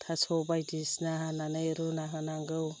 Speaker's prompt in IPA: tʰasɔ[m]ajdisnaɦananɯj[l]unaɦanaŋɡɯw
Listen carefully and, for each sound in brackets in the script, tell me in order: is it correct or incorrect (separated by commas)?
incorrect, incorrect